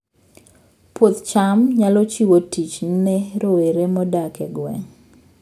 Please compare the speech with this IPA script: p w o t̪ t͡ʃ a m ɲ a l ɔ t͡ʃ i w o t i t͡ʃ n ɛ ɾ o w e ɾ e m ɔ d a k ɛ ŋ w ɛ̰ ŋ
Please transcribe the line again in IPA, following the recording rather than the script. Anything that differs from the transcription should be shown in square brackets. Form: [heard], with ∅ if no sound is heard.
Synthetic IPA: p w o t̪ t͡ʃ a m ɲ a l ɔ t͡ʃ i w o t i t͡ʃ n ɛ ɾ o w e ɾ e m ɔ d a k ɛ [ɡ] w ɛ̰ ŋ